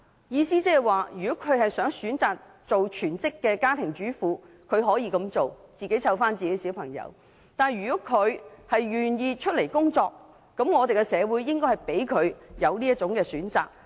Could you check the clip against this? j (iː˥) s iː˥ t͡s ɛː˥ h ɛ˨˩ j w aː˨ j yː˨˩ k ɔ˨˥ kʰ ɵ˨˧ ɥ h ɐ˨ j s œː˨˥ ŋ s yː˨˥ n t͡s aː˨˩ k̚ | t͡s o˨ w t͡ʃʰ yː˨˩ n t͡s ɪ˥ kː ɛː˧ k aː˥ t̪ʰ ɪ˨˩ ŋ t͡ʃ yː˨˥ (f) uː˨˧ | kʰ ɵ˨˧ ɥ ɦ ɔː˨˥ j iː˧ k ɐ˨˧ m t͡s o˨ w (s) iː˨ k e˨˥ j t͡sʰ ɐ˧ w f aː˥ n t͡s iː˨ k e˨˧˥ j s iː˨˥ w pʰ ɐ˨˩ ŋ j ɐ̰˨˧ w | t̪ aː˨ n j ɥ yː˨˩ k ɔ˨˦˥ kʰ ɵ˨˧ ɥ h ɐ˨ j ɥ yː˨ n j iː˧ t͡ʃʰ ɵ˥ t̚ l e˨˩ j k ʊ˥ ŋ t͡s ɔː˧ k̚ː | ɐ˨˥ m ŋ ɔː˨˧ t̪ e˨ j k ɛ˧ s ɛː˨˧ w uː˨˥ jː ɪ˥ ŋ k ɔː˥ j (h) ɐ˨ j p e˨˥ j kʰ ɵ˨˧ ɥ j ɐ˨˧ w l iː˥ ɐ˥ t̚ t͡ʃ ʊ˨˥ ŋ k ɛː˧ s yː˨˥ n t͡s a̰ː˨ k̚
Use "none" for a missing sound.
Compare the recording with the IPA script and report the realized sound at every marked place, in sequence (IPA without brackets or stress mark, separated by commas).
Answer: iː˧, f, t͡s, h